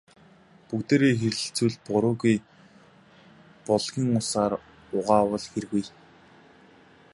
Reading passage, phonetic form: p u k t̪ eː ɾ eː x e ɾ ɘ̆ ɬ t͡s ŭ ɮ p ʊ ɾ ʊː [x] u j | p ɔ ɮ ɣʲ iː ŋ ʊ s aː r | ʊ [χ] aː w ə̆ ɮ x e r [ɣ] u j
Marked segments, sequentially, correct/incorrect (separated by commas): incorrect, incorrect, correct